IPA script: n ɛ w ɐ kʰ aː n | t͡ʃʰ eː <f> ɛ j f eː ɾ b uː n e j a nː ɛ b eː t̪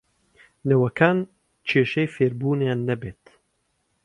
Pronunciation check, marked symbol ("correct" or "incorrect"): incorrect